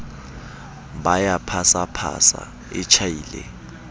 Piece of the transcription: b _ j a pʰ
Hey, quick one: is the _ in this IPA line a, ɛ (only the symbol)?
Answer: a